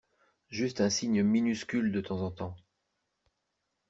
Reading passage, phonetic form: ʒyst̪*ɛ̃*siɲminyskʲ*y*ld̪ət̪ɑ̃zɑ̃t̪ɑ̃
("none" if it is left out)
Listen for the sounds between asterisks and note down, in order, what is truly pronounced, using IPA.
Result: ɛ̃, y

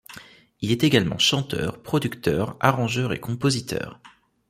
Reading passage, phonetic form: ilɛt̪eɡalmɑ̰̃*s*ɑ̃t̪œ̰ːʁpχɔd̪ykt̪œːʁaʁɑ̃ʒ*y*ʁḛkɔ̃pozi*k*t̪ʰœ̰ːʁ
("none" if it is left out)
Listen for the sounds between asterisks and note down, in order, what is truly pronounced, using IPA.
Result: ʃ, œ, none

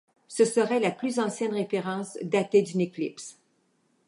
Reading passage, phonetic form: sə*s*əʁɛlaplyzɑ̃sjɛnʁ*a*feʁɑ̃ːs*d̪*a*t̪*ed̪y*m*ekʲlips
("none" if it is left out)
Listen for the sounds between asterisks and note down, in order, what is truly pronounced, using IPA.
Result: s, e, d̪, t̪, n

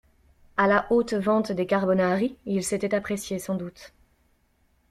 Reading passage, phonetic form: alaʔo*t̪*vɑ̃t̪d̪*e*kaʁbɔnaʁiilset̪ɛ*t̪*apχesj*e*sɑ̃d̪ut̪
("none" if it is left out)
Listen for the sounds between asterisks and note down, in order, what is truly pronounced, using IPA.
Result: t̪, e, t̪, e

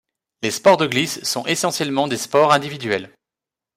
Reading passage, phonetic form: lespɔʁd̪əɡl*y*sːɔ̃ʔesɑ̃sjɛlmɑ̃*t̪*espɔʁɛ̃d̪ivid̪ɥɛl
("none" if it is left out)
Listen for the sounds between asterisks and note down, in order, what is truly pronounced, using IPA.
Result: i, d̪

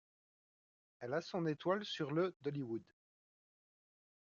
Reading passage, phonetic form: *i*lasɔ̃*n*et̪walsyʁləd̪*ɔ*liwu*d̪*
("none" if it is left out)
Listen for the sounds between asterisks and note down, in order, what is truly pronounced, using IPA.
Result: ɛ, n, ɔ, d̪

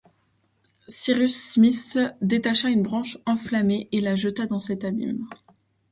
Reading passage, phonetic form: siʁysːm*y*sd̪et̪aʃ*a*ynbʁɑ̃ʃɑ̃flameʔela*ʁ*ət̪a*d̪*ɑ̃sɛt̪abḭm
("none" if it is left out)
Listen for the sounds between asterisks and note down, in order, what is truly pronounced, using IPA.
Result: i, a, ʒ, d̪

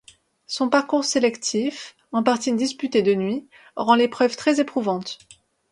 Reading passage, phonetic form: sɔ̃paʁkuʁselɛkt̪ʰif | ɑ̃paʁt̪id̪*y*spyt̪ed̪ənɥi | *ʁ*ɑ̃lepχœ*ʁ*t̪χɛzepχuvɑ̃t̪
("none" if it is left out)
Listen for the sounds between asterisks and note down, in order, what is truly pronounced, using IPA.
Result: i, ʁ, v

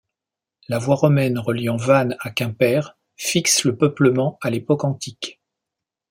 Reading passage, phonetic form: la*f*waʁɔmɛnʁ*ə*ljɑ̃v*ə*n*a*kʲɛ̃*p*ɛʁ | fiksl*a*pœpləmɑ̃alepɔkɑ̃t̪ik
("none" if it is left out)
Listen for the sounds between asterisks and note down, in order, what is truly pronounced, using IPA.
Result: v, ə, a, a, p, ə

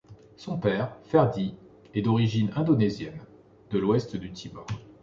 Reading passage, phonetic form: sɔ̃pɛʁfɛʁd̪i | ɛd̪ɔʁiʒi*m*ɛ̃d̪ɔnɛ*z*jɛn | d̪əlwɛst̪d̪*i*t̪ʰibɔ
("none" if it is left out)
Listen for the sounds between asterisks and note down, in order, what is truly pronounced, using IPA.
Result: n, z, y

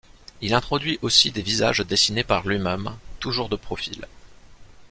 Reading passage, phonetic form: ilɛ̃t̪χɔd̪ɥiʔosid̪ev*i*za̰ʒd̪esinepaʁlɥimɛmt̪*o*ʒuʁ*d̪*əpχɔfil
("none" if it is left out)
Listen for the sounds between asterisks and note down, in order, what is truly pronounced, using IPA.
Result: i, u, d̪

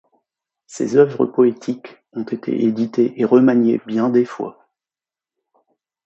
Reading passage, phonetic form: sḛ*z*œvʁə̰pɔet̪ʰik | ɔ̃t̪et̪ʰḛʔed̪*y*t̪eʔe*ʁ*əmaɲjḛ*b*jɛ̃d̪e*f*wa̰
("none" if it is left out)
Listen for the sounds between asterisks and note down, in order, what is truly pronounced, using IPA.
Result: z, i, ʁ, b, f

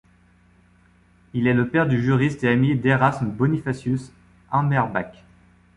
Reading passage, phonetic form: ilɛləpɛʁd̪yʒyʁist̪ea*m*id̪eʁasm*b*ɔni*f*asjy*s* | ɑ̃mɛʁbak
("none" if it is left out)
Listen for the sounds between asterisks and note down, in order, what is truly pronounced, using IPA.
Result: m, b, f, s

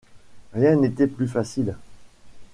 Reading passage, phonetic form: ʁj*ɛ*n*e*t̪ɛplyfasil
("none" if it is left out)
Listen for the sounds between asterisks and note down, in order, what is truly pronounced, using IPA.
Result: ɛ̃, e

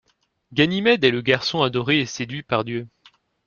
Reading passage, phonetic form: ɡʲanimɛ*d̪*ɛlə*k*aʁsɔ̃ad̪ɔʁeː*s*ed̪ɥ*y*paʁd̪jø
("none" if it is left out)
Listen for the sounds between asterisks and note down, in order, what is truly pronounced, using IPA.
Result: d̪, ɡ, s, i

